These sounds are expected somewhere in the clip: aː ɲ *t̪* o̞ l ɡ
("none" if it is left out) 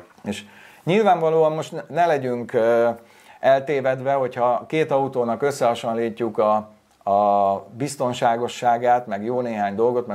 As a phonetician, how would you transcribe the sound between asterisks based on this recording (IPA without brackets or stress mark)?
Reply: d̪